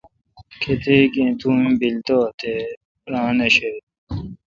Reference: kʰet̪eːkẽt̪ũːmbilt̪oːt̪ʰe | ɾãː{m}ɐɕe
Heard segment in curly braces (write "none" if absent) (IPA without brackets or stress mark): n